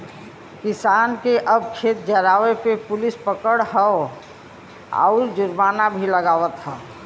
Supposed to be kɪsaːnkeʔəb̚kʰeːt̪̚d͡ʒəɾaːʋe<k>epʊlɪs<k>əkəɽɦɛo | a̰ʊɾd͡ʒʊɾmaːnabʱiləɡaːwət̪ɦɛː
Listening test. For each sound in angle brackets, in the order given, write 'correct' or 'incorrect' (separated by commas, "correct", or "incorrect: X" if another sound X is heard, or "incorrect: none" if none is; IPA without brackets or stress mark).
incorrect: p, incorrect: p